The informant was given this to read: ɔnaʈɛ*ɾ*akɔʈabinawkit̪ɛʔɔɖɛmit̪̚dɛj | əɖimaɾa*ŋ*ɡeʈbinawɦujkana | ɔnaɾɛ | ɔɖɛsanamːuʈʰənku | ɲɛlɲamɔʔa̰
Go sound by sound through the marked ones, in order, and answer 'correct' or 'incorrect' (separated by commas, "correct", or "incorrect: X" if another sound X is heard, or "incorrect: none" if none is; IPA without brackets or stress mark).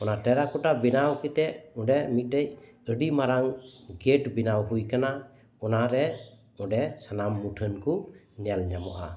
correct, correct